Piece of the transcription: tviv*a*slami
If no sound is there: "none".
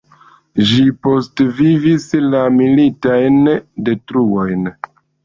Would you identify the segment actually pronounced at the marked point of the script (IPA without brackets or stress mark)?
i